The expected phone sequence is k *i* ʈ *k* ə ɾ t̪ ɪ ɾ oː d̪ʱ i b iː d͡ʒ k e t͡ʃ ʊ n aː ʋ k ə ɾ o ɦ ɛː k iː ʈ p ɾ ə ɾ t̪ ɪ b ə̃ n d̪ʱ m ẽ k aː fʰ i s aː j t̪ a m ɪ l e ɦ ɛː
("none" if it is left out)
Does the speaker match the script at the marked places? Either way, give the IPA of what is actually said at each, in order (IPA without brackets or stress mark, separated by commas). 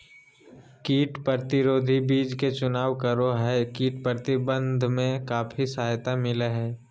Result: iː, p